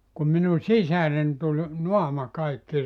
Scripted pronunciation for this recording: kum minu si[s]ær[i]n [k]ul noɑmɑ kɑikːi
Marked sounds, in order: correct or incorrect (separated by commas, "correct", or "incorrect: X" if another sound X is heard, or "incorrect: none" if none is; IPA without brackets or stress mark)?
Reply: correct, incorrect: e, incorrect: t